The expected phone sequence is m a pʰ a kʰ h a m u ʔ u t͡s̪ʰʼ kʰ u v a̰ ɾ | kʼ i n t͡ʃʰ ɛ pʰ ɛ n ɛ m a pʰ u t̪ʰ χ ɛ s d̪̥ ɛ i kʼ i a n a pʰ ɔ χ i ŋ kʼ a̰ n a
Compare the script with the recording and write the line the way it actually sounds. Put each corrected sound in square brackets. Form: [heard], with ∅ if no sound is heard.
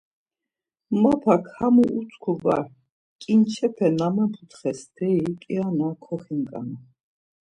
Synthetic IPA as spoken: m a pʰ a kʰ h a m u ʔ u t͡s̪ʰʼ kʰ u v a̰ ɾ | kʼ i n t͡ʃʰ ɛ pʰ ɛ n [a] m a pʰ u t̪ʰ χ ɛ s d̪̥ ɛ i kʼ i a n a [kʰ] ɔ χ i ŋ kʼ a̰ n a